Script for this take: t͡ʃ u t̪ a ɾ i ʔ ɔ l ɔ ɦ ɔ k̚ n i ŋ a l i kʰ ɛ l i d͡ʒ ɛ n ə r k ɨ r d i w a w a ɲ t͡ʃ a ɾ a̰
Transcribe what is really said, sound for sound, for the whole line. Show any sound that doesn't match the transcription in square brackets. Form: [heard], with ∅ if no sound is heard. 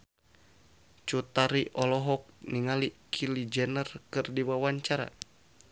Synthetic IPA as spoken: t͡ʃ u t̪ a ɾ i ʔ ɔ l ɔ ɦ ɔ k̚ n i ŋ a l i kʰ [i] l i d͡ʒ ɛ n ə r k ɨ r d i w a w a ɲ t͡ʃ a ɾ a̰